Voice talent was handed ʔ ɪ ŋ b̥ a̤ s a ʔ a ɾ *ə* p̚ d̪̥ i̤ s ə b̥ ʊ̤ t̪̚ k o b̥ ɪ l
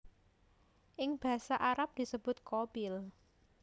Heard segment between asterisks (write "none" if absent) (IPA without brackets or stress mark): a